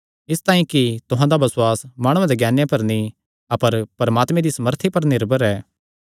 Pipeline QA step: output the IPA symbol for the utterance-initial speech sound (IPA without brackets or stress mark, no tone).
ɪ